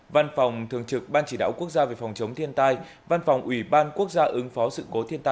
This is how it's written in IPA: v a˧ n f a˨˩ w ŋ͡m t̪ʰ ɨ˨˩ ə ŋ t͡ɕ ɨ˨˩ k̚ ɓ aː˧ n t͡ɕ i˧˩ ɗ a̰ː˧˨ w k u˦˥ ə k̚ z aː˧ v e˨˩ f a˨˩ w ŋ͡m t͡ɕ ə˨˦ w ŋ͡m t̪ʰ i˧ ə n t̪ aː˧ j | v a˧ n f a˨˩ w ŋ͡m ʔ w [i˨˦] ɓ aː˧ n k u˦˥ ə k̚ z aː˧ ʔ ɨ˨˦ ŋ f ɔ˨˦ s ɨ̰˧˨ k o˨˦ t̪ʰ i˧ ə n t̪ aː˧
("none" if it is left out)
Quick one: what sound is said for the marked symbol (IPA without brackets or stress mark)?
i˧˩